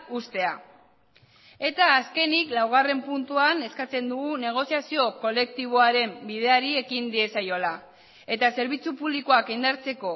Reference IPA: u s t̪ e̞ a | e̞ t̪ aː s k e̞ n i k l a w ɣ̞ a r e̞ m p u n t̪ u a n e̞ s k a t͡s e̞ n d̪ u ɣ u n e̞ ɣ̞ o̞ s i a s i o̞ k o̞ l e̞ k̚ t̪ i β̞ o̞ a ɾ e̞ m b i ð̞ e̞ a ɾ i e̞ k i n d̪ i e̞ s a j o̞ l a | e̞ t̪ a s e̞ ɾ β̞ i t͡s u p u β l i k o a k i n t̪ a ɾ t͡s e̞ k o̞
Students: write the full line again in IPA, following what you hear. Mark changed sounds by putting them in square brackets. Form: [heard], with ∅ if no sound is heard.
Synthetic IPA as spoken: u s t̪ e̞ a | e̞ t̪ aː s k e̞ n i k l a w ɣ̞ a r e̞ m p u n t̪ u a n e̞ s k a t͡s e̞ n d̪ u ɣ u n e̞ ɣ̞ o̞ s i a s i o̞ k o̞ l e̞ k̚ t̪ i β̞ o̞ a ɾ e̞ m b i ð̞ e̞ a ɾ i e̞ k i n d̪ i e̞ s a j o̞ l a | e̞ t̪ a s e̞ ɾ β̞ i t͡s u p u β l i k o a k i n [d̪] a ɾ t͡s e̞ k o̞